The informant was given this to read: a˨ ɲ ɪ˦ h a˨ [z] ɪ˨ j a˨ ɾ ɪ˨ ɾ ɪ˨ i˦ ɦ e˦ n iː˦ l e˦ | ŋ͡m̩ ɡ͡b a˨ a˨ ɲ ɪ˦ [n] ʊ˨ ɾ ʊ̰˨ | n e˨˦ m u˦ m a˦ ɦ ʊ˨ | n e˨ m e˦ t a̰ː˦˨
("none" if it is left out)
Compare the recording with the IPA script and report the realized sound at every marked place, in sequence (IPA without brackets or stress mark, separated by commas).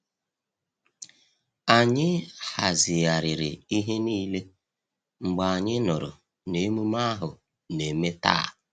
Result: z, n